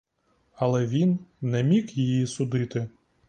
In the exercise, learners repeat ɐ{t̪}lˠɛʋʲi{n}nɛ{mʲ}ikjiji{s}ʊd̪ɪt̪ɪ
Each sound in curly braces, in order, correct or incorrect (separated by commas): incorrect, correct, correct, correct